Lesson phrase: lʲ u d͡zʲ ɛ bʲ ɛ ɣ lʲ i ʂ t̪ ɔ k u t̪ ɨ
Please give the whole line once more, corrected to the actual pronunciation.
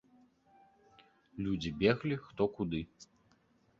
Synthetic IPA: lʲ u d͡zʲ i bʲ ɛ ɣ lʲ i x t̪ ɔ k u d̪ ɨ